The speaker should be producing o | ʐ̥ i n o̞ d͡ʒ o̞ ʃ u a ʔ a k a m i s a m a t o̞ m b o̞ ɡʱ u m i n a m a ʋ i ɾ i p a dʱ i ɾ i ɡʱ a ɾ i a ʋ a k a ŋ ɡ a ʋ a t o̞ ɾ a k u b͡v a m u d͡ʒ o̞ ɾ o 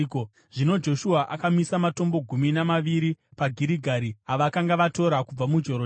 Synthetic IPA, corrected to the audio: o | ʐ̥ i n o̞ d͡ʒ o̞ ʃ u a ʔ a k a m i s a m a t o̞ m b o̞ ɡʱ u m i n a m a ʋ i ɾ i p a ɡʱ i ɾ i ɡʱ a ɾ i a ʋ a k a ŋ ɡ a ʋ a t o̞ ɾ a k u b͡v a m u d͡ʒ o̞ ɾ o